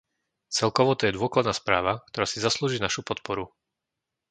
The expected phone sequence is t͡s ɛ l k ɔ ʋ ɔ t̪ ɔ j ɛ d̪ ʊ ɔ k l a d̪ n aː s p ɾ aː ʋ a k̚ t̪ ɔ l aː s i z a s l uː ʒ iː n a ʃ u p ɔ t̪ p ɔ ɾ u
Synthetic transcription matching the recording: t͡s ɛ l k ɔ ʋ ɔ t̪ ɔ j ɛ d̪ ʊ ɔ k l a d̪ n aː s p ɾ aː ʋ a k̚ t̪ ɔ ɾ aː s i z a s l uː ʒ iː n a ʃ u p ɔ t̪ p ɔ ɾ u